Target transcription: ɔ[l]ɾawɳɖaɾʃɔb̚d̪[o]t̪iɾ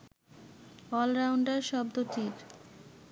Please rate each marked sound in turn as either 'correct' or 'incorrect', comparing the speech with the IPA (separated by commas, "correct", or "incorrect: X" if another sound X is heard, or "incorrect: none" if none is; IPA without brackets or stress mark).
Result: correct, correct